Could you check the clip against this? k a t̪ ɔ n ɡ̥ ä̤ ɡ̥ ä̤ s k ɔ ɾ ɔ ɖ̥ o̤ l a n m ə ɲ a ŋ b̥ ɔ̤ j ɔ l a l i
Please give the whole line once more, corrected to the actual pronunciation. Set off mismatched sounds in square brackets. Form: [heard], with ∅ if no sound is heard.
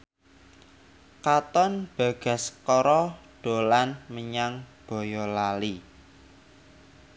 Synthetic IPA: k a t̪ ɔ n [b̥] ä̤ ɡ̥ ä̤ s k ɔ ɾ ɔ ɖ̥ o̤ l a n m ə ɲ a ŋ b̥ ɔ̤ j ɔ l a l i